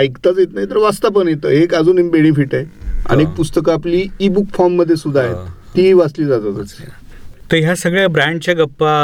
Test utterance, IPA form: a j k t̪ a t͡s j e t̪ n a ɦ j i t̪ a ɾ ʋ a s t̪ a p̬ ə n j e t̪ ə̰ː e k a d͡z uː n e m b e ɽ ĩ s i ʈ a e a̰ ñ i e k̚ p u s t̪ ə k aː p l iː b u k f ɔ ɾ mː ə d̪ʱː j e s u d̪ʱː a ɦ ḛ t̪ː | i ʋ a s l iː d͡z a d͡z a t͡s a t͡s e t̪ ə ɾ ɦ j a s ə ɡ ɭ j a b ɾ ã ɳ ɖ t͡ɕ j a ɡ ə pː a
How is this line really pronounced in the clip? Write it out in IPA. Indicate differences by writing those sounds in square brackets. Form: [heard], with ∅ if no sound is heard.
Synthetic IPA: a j k t̪ a t͡s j e t̪ n a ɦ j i t̪ [ə] ɾ ʋ a s t̪ a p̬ ə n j e t̪ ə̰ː e k a d͡z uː n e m b e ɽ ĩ [f] i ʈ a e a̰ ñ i e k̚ p u s t̪ ə k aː p l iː b u k f ɔ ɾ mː ə d̪ʱː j e s u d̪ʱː a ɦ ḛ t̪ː | i ʋ a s l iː d͡z a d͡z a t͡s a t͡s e t̪ ə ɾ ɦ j a s ə ɡ ɭ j a b ɾ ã ɳ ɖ t͡ɕ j a ɡ ə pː a